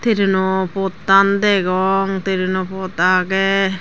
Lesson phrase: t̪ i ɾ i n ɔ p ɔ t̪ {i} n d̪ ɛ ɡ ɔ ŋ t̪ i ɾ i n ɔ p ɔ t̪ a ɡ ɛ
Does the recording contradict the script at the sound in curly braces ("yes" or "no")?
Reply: yes